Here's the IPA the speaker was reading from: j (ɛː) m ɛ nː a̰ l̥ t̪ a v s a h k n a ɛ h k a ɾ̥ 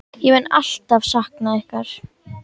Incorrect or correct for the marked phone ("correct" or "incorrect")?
incorrect